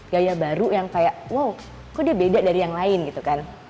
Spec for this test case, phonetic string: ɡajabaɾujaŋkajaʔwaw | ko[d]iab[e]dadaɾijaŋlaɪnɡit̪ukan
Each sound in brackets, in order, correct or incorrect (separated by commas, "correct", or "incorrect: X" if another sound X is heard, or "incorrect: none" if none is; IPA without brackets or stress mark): correct, correct